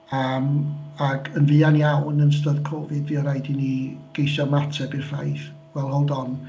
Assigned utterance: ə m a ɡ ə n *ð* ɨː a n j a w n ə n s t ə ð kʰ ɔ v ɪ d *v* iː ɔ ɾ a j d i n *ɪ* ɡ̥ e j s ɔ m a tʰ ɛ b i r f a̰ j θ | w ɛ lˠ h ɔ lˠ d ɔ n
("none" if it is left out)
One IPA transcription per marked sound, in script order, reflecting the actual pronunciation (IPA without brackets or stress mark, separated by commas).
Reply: v, v, i